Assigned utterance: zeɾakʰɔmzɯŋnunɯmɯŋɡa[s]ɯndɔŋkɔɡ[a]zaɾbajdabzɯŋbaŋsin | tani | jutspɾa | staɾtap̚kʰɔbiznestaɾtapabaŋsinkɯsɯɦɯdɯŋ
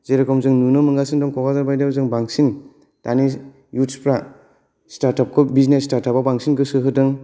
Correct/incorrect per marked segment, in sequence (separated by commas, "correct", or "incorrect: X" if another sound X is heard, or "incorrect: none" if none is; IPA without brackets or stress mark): correct, correct